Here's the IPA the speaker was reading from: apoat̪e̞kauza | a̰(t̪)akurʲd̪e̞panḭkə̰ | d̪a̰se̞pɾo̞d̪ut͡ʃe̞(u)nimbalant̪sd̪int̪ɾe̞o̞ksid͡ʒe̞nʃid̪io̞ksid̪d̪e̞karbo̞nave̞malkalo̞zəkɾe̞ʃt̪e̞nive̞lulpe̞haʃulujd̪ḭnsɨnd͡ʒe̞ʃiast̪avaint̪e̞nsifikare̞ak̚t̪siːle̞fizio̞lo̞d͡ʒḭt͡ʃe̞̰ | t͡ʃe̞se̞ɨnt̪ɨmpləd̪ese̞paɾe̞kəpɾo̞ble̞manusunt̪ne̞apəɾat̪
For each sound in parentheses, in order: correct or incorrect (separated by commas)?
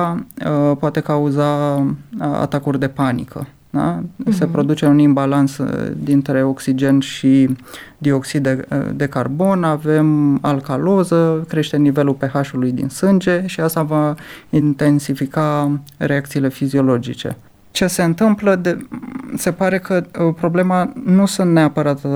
correct, correct